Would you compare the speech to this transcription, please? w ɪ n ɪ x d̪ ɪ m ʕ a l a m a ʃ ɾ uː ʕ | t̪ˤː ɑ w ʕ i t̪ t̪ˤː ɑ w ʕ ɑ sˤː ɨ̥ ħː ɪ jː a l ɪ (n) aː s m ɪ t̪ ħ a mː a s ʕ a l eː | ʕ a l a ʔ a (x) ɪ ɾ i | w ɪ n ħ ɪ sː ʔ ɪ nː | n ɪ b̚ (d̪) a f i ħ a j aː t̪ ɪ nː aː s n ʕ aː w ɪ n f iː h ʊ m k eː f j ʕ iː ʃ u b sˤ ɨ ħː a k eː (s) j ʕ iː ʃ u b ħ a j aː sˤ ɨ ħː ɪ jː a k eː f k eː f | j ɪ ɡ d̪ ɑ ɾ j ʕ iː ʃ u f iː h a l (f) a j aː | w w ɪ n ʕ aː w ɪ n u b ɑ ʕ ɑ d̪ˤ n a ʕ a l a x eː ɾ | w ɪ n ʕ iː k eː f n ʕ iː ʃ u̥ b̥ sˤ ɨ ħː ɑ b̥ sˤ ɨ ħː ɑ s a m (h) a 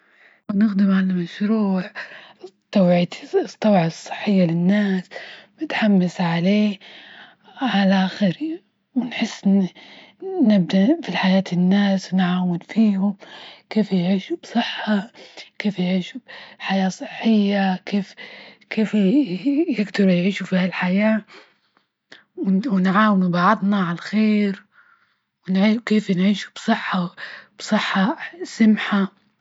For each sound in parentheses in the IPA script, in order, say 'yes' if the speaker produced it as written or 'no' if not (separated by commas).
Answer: no, yes, yes, no, no, no